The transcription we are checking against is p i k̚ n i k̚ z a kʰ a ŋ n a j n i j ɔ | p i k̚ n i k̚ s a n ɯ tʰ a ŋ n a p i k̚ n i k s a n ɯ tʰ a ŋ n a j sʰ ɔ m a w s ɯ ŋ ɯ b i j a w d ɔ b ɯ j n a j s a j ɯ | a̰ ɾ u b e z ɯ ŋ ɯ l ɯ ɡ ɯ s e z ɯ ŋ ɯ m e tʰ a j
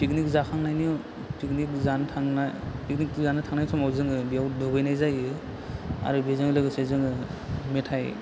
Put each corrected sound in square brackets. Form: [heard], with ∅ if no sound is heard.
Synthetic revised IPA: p i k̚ n i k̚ z a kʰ a ŋ n a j n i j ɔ | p i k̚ n i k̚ [z] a n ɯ tʰ a ŋ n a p i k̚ n i k [z] a n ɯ tʰ a ŋ n a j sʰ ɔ m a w [z] ɯ ŋ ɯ b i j a w d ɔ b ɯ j n a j [z] a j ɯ | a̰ ɾ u b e z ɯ ŋ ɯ l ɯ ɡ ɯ s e z ɯ ŋ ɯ m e tʰ a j